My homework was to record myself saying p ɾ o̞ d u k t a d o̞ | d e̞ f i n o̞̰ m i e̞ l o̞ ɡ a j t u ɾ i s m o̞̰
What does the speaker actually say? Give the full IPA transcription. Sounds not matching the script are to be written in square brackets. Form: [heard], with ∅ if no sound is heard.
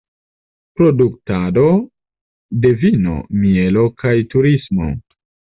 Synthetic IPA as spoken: p ɾ o̞ d u k t a d o̞ | d e̞ [v] i n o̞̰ m i e̞ l o̞ [k] a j t u ɾ i s m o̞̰